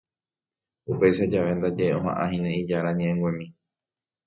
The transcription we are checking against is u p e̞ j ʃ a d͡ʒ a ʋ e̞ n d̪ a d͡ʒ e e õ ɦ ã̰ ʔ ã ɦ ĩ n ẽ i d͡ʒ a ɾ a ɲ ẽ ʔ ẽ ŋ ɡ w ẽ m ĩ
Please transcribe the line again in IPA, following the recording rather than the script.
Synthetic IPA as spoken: u p e̞ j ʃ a d͡ʒ a ʋ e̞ n d̪ a d͡ʒ e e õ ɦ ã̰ ʔ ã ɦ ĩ n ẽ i d͡ʒ a ɾ a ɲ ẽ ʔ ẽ ŋ ɡ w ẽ m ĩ